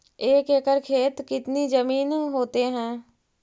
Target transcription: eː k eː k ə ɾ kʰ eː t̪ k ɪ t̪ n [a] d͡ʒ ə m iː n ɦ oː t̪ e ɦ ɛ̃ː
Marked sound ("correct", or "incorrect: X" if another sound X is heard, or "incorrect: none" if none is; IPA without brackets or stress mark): incorrect: i